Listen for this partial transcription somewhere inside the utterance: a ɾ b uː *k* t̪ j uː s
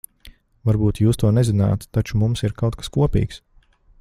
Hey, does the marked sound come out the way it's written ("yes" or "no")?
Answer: no